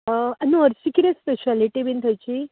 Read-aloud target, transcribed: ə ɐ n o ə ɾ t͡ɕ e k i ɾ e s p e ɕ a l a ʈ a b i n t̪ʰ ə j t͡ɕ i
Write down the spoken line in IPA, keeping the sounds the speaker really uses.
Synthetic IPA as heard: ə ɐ n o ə ɾ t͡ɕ i k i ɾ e s p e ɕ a l i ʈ i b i n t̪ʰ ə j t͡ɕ i

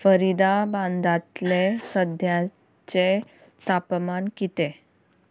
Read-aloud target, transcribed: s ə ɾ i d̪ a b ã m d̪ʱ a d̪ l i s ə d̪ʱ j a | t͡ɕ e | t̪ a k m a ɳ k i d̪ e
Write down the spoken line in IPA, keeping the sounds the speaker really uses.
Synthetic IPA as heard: f ə ɾ i d̪ a b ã n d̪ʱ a t̪ l e s ə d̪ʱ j a | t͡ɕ e | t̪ a p m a n k i t̪ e

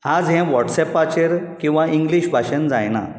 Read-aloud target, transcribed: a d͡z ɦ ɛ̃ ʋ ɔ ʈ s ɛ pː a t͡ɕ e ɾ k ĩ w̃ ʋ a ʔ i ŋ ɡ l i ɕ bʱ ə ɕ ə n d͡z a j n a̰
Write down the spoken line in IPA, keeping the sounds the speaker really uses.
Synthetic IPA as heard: a d͡z ɦ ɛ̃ ʋ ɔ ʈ s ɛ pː a t͡ɕ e ɾ k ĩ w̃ ʋ a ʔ i ŋ ɡ l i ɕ bʱ a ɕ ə n d͡z a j n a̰

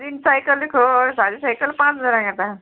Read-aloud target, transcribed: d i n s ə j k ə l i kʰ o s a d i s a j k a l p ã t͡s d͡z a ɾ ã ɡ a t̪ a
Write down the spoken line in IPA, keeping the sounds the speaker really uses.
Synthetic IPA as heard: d i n s a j k ə l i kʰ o s a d i s a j k ə l p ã t͡s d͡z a ɾ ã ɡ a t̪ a

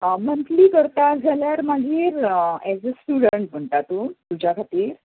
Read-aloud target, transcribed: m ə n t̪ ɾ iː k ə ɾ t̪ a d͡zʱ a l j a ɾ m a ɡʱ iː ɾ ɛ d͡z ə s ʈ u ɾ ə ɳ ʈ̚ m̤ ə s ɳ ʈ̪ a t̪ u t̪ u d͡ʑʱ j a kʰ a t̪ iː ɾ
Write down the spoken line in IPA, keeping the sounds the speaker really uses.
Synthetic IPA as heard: m ə n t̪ l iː k ə ɾ t̪ a d͡zʱ a l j a ɾ m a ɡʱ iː ɾ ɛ d͡z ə s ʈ u ɽ ə ɳ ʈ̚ m̤ ə ɳ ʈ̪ a t̪ u t̪ u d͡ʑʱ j a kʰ a t̪ iː ɾ

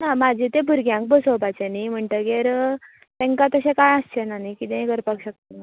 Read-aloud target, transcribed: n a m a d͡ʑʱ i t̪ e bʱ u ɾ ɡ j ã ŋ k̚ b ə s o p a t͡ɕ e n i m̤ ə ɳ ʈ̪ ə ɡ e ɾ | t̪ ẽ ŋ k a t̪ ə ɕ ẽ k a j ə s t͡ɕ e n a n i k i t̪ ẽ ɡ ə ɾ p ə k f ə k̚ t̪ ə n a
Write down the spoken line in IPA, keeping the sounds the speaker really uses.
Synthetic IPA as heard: n a m a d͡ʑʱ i t̪ e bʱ u ɾ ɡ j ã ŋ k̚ b ə s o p a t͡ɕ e n i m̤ ə ɳ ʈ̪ ə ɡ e ɾ | t̪ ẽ ŋ k a t̪ ə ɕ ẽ k a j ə s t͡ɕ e n a n i k i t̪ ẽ ɡ ə ɾ p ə k ɕ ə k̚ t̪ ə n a

